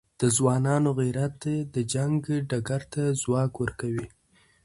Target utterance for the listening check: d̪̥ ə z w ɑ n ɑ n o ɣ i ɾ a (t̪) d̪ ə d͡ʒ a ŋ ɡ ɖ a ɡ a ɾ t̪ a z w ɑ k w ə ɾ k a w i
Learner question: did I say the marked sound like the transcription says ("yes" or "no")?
yes